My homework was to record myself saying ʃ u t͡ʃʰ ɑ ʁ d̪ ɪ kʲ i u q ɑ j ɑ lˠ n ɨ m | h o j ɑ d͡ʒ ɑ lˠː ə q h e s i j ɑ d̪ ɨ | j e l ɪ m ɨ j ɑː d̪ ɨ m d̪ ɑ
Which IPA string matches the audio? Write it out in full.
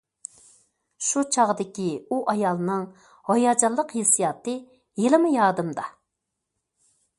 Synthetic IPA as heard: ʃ u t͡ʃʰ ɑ ʁ d̪ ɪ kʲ i u ʔ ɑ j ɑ lˠ n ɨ ŋ | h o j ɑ d͡ʒ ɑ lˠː ə q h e s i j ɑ t̪ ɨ | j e l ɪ m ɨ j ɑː d̪ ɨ m d̪ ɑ